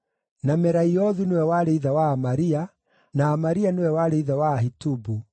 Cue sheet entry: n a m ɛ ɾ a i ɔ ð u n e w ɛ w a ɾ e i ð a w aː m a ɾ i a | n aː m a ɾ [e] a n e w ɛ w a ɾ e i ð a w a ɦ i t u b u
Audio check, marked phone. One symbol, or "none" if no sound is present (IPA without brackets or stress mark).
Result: i